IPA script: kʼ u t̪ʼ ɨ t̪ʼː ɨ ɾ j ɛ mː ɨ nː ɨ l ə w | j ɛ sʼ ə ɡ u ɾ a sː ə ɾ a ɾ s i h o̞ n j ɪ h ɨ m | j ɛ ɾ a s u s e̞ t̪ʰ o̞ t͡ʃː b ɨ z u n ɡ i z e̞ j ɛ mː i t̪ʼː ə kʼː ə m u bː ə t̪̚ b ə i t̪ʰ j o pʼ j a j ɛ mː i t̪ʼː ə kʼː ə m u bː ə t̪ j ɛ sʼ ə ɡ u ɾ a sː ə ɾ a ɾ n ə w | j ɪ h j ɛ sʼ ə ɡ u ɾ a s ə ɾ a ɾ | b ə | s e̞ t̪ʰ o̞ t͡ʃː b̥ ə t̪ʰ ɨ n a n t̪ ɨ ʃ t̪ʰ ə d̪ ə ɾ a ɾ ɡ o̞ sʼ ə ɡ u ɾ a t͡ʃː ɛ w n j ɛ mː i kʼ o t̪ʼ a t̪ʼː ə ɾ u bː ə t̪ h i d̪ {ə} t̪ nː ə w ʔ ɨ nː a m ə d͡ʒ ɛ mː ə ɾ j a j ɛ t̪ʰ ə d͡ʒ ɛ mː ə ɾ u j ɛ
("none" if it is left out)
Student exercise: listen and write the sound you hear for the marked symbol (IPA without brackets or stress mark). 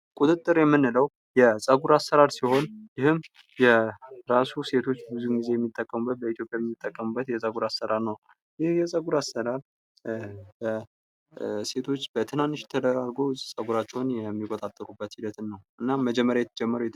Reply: ə